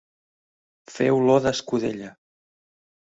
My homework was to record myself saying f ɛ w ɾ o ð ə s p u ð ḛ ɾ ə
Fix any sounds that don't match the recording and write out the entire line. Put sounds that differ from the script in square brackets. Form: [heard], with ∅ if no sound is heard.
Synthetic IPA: f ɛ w [l] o ð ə s [k] u ð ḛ [ʎ] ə